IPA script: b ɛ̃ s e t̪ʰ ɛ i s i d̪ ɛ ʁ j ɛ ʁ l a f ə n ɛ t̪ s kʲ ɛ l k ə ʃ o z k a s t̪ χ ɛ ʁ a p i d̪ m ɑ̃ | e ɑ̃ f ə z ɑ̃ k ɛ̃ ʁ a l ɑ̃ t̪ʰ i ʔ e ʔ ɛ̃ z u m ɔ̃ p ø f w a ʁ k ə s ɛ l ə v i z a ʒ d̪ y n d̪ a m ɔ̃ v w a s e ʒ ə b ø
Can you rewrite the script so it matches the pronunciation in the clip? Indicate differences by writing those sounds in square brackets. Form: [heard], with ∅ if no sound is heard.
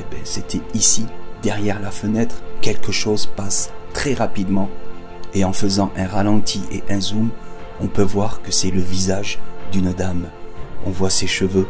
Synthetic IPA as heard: b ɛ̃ s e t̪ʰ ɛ i s i d̪ ɛ ʁ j ɛ ʁ l a f ə n ɛ t̪ [χ] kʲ ɛ l k ə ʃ o z [p] a s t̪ χ ɛ ʁ a p i d̪ m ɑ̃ | e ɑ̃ f ə z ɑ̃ [ʔ] ɛ̃ ʁ a l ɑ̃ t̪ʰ i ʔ e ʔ ɛ̃ z u m ɔ̃ p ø [v] w a ʁ k ə s ɛ l ə v i z a ʒ d̪ y n d̪ a m ɔ̃ v w a s e [ʃ] ə [v] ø

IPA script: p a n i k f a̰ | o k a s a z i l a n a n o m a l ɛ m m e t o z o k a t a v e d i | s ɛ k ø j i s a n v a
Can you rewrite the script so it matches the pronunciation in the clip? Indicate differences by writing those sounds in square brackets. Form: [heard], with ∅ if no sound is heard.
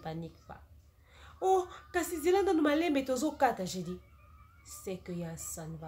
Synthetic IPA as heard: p a n i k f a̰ | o k a s [i] z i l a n a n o m a l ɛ m [b] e t o z o k a t a [ʒ] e d i | s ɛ k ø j [a] s a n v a

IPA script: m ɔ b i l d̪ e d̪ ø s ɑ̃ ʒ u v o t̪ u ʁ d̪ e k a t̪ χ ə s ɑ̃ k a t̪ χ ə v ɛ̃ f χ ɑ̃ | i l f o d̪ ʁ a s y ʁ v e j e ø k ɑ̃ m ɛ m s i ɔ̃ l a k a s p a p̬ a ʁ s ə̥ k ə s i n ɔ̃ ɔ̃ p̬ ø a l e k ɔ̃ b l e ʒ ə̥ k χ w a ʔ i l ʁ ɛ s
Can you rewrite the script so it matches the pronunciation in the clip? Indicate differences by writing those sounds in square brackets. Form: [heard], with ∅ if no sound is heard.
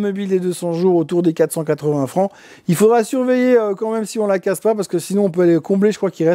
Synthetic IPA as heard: m ɔ b i l d̪ e d̪ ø s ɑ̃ ʒ u [ʁ] o t̪ u ʁ d̪ e k a t̪ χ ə s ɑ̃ k a t̪ χ ə v ɛ̃ f χ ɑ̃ | i l f o d̪ ʁ a s y ʁ v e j e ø k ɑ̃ m ɛ m s i ɔ̃ l a k a s p a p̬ a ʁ s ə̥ k ə s i n ɔ̃ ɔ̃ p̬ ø a l e k ɔ̃ b l e ʒ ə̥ k χ w a [k] i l ʁ ɛ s

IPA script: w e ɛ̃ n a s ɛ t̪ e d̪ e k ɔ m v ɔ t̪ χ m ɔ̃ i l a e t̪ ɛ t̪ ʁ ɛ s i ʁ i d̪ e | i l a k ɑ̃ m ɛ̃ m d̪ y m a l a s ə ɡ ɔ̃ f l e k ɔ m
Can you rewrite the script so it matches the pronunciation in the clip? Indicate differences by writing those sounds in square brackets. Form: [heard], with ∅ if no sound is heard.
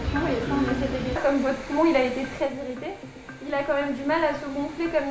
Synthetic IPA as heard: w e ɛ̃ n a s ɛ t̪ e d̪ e k ɔ m v ɔ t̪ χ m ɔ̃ i l a e t̪ [e] t̪ [χ] ɛ [z] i ʁ i [t̪] e | i l a k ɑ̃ m [ɛ] m d̪ y m a l a s ə ɡ ɔ̃ f l e k ɔ m

